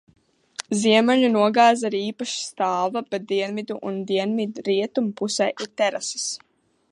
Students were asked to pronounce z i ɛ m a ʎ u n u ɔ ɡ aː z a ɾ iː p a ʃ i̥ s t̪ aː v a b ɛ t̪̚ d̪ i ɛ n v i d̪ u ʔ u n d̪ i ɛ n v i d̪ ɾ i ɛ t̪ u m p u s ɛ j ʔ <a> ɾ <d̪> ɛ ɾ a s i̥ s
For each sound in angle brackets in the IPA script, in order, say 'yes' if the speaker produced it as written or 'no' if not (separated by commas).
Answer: no, no